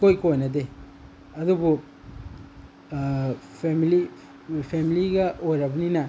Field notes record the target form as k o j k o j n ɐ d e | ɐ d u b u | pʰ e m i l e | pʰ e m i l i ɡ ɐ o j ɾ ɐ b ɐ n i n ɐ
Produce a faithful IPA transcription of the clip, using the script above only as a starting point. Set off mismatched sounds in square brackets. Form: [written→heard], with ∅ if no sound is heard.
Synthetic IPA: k o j k o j n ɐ d e | ɐ d u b u | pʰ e m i l [e→i] | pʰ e m i l i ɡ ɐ o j ɾ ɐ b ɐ n i n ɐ